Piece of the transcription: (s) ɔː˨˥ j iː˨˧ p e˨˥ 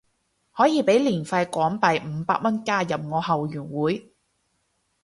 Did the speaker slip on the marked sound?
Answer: yes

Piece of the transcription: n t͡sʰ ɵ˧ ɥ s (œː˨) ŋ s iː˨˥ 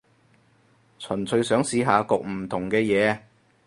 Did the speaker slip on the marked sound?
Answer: yes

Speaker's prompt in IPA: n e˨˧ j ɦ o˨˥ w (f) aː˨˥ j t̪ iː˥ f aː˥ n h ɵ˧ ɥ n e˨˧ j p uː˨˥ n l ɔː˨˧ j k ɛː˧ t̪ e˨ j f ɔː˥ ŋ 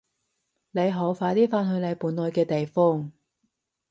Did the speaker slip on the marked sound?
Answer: no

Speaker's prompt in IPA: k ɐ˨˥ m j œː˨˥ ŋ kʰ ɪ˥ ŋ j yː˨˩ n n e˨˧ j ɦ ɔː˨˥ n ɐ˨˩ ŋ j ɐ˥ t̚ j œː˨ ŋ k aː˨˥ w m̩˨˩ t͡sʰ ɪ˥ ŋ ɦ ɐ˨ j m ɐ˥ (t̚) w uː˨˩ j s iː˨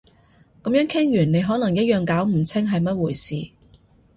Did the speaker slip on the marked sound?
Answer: no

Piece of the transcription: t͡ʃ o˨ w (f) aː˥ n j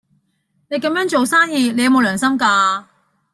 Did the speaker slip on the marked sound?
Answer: yes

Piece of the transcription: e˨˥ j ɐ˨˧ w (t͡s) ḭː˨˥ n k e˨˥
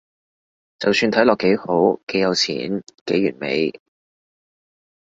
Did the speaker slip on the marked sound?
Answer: yes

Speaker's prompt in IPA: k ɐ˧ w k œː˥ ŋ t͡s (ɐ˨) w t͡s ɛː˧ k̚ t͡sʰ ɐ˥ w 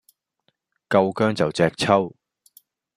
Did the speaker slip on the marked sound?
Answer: no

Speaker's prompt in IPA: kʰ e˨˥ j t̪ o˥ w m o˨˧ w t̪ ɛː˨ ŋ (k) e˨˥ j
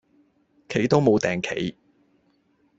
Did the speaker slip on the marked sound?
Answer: yes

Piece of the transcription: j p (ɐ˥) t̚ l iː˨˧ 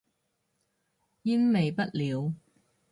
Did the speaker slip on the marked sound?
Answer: no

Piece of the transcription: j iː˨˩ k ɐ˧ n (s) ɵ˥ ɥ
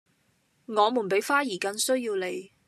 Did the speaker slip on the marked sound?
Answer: no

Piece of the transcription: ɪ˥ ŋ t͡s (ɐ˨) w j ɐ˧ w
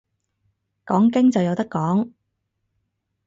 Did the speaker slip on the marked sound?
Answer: no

